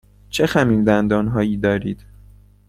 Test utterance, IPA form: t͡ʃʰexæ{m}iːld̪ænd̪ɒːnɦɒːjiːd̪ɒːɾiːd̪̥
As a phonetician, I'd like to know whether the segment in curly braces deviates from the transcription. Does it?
no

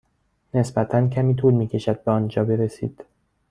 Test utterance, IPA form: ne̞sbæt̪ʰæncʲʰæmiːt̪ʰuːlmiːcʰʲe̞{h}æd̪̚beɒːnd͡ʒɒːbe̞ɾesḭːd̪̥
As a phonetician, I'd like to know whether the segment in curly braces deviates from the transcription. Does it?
yes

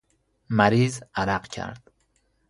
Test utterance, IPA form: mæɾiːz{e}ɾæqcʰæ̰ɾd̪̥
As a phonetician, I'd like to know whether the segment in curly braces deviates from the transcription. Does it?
yes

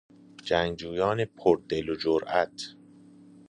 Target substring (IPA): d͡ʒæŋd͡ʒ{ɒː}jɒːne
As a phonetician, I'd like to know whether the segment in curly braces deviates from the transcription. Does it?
yes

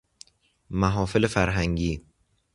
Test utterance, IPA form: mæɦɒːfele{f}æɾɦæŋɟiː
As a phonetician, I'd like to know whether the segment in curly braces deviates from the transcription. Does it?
no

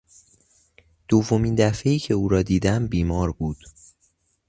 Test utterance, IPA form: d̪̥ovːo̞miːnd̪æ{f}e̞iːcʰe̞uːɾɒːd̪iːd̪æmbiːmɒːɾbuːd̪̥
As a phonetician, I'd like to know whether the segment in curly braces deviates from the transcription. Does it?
no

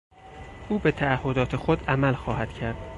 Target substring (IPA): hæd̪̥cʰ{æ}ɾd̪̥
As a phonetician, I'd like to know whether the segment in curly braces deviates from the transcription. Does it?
no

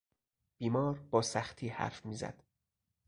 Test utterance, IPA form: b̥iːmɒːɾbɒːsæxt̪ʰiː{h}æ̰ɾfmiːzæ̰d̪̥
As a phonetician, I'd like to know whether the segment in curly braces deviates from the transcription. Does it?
no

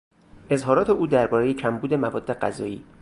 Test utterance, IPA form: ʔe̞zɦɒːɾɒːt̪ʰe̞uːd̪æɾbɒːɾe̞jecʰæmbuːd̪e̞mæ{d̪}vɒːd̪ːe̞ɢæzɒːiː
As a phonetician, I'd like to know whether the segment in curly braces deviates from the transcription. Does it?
yes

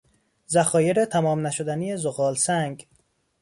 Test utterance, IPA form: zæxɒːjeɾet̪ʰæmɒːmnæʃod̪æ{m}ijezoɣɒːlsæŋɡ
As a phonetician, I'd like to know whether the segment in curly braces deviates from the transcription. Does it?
yes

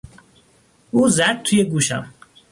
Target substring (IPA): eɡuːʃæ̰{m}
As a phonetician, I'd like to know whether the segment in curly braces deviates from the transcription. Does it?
no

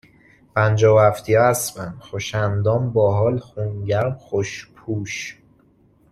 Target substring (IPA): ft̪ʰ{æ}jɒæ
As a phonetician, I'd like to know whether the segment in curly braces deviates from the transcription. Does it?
yes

